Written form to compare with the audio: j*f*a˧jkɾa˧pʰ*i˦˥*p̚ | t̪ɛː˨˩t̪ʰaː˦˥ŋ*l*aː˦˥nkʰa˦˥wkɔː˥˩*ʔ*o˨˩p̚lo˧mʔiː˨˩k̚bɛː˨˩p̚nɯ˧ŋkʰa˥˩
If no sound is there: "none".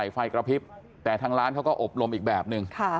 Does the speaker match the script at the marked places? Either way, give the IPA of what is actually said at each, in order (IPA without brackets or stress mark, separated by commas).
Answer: f, i˦˥, ɾ, ʔ